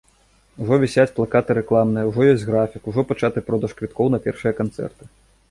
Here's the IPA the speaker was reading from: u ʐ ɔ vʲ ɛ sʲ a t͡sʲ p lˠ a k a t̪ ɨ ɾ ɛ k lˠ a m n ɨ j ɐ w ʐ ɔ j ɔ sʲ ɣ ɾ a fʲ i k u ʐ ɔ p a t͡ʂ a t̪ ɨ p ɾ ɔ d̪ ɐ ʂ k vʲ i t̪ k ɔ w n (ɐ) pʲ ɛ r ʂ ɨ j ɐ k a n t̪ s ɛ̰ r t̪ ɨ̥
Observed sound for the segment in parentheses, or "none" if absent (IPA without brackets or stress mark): ɐ